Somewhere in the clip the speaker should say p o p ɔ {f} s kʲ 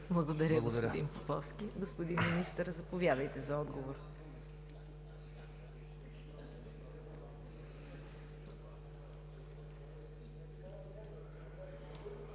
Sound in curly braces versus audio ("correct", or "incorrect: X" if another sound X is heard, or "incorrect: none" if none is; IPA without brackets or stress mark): correct